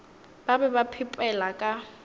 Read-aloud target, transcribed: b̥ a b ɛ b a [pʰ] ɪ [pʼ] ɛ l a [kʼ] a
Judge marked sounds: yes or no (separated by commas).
yes, yes, yes